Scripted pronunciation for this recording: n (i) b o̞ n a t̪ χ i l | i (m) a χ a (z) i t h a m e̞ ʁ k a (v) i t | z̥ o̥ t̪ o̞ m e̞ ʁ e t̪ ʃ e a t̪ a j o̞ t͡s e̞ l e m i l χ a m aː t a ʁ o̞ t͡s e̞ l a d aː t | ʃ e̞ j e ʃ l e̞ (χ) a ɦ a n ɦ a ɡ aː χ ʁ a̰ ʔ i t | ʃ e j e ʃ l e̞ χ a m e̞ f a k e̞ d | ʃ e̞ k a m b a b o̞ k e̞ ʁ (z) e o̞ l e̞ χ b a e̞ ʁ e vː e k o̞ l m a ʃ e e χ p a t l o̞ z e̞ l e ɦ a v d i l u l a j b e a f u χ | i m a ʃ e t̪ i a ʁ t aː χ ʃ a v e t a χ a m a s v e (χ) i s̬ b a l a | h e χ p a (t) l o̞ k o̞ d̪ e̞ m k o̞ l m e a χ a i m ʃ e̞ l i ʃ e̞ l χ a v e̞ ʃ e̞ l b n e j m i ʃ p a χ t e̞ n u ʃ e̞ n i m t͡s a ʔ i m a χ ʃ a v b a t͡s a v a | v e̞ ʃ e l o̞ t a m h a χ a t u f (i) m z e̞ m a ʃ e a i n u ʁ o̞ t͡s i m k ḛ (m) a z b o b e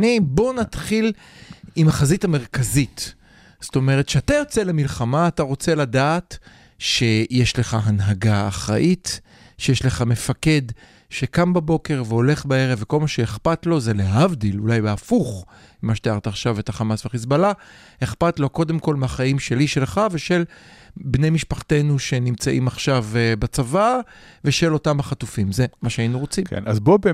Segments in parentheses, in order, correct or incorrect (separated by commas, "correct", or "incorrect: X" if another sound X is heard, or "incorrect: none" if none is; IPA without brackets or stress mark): correct, correct, correct, incorrect: z, correct, incorrect: v, correct, correct, correct, incorrect: n